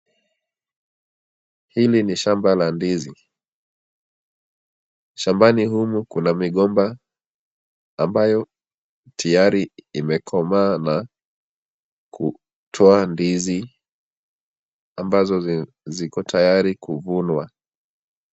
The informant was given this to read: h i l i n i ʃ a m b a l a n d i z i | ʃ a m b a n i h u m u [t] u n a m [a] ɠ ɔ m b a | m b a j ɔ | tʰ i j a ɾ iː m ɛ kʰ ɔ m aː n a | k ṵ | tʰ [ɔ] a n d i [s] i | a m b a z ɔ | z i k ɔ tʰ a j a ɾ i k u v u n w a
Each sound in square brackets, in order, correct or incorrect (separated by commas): incorrect, incorrect, correct, incorrect